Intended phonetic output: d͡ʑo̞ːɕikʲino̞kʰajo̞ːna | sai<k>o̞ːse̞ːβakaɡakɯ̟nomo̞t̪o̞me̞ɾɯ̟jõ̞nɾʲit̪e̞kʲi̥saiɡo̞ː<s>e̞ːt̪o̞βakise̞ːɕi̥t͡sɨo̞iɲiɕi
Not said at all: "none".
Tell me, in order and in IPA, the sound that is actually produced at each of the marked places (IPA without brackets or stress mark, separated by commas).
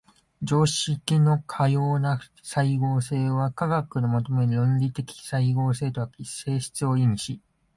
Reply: ɡ, s